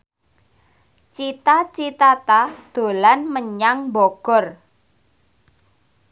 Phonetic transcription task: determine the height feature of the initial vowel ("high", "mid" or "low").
high